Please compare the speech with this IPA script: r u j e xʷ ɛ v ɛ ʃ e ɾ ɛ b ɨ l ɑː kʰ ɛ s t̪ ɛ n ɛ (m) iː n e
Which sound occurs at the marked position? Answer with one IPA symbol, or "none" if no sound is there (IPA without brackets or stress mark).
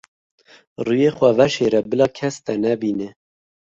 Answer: b